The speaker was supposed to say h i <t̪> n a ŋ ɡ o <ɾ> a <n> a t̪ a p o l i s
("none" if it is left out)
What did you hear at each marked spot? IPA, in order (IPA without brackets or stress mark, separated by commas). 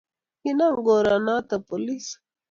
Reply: none, ɾ, n